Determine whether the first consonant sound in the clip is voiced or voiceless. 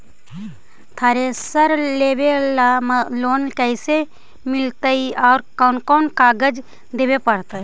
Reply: voiceless